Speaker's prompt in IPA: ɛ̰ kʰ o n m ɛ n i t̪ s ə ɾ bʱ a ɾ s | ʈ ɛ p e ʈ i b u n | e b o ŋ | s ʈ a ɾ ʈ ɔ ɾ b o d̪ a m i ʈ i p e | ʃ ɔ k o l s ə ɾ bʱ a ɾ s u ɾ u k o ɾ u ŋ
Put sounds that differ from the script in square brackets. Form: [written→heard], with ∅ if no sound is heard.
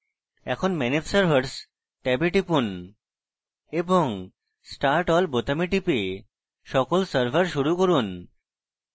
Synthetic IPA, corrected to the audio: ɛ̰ kʰ o n m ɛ n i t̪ s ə ɾ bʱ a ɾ s | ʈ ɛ [p→b] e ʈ i [b→p] u n | e b o ŋ | s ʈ a ɾ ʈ ɔ [ɾ→l] b o [d̪→t̪] a m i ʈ i p e | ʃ ɔ k o l s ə ɾ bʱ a ɾ [s→ʃ] u ɾ u k o ɾ u [ŋ→n]